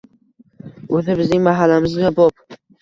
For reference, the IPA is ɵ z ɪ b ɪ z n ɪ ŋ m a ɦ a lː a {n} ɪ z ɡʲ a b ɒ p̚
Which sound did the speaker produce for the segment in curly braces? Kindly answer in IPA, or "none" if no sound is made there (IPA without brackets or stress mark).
m